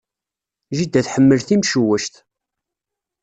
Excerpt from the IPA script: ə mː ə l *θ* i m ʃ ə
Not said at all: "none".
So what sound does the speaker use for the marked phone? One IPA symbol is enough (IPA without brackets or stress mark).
θ